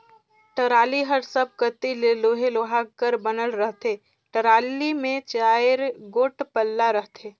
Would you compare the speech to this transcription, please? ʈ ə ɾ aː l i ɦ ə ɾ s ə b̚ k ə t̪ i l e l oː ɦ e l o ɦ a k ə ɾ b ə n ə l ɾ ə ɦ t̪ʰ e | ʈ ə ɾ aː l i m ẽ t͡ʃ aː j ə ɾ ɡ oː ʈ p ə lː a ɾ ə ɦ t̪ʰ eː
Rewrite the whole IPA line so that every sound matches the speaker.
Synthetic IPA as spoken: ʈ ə ɾ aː l i ɦ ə ɾ s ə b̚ k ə t̪ i l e l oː ɦ e l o ɦ a k ə ɾ b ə n ə l ɾ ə ɦ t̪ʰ e | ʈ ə ɾ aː l i m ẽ t͡ʃ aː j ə ɾ ɡ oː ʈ p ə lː a ɾ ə ɦ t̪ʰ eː